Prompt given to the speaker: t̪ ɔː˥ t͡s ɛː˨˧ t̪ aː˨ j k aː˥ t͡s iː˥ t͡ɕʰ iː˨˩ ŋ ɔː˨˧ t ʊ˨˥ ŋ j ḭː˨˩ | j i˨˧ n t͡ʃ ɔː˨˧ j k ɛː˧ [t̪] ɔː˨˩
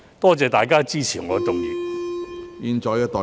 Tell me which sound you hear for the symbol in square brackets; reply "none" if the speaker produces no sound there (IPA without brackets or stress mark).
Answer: t̪